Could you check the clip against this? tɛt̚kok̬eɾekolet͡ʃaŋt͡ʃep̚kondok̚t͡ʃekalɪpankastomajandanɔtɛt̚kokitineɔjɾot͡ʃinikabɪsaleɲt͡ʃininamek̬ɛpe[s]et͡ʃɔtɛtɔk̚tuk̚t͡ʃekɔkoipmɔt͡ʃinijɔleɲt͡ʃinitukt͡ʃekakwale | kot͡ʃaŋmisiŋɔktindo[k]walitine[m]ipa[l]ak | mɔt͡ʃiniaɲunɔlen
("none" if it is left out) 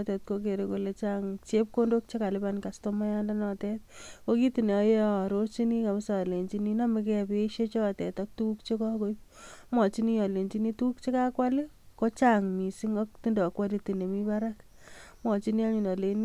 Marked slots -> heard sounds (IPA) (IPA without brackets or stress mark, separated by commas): ʃ, k, m, ɾ